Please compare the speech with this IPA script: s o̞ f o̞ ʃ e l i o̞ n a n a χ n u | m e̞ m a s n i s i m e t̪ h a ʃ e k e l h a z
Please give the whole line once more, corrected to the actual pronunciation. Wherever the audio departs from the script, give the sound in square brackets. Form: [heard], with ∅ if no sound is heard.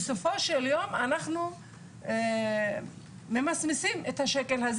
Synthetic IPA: s o̞ f o̞ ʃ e l [j] o̞ [m] a n a χ n u | m e̞ m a s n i s i m e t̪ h a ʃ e k e l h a z